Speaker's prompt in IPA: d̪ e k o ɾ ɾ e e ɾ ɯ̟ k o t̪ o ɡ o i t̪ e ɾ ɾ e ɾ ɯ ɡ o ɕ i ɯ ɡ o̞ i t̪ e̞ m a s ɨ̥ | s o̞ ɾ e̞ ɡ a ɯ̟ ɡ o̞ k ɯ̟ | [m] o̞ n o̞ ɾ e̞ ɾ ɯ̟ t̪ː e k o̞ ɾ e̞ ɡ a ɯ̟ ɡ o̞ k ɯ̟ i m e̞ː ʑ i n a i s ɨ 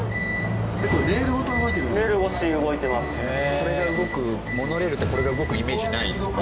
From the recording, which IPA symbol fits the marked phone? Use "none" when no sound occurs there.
m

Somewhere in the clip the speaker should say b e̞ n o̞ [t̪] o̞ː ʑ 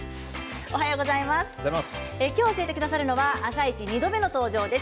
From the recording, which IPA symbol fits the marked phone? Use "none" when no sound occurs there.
t̪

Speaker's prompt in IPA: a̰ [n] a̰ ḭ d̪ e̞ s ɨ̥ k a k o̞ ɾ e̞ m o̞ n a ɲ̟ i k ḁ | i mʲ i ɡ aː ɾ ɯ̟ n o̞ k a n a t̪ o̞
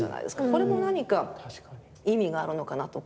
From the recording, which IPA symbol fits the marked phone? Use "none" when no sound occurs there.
n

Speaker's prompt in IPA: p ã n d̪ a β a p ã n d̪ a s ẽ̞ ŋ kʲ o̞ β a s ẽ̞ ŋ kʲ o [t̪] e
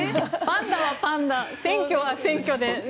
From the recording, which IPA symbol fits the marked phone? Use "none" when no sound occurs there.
d̪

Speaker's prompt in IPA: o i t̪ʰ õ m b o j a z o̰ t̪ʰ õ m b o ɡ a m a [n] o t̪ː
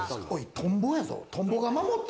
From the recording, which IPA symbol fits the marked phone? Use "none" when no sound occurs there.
m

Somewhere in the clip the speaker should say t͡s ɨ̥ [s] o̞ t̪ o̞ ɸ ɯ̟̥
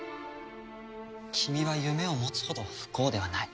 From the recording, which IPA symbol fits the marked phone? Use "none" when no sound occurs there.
h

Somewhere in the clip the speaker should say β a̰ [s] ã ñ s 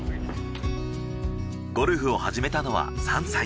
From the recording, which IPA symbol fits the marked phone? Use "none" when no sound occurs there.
s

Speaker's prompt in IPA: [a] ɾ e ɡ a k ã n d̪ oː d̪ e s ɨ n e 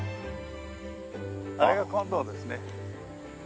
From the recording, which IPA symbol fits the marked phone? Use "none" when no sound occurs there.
a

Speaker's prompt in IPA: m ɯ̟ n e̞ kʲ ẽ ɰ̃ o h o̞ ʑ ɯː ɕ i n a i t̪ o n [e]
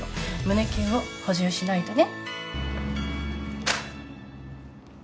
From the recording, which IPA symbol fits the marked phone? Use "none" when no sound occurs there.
e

